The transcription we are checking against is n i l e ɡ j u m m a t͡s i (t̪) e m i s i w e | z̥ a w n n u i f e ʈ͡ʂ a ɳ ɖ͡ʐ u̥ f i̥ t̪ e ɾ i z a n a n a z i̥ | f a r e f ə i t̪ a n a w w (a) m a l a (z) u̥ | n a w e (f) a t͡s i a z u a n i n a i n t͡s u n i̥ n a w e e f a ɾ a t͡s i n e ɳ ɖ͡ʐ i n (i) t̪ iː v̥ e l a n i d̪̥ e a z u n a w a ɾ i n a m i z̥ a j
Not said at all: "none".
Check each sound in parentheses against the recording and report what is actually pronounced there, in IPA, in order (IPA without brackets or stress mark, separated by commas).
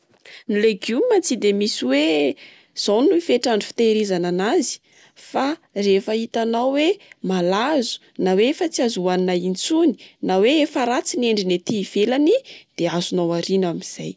d̪, e, z, f, e